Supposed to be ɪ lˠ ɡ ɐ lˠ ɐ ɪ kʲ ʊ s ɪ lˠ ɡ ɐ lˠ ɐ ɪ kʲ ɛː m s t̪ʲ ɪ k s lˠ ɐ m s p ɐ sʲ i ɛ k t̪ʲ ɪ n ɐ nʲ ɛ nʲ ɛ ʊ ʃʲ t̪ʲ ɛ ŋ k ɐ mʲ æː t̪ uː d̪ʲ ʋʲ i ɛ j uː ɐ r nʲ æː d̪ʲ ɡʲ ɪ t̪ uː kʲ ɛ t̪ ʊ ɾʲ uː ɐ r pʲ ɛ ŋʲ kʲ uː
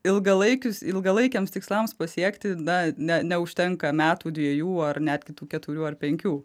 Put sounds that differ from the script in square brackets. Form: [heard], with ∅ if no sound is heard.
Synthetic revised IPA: ɪ lˠ ɡ ɐ lˠ ɐ ɪ kʲ ʊ s ɪ lˠ ɡ ɐ lˠ ɐ ɪ kʲ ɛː m s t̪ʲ ɪ k s lˠ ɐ m s p ɐ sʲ i ɛ k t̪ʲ ɪ n ɐ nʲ ɛ nʲ ɛ ʊ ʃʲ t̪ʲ ɛ ŋ k ɐ mʲ æː t̪ uː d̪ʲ ʋʲ i ɛ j uː ɐ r nʲ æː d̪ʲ ɡʲ ɪ t̪ uː kʲ ɛ t̪ ʊ ɾʲ uː ɐ r pʲ ɛ ŋʲ kʲ uː